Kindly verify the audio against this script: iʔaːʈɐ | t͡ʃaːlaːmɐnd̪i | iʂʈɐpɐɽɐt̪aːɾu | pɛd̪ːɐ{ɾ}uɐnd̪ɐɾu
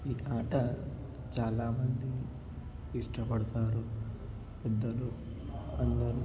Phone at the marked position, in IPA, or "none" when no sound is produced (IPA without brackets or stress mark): l